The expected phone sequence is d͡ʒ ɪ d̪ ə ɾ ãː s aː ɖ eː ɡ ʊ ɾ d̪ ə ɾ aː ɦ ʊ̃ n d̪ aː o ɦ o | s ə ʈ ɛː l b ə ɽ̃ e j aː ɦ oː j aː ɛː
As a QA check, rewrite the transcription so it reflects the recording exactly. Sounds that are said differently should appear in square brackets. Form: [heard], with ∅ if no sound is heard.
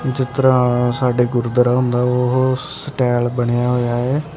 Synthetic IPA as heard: d͡ʒ ɪ [t̪] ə ɾ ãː s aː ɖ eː ɡ ʊ ɾ d̪ ə ɾ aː ɦ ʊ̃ n d̪ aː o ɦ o | s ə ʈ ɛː l b ə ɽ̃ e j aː ɦ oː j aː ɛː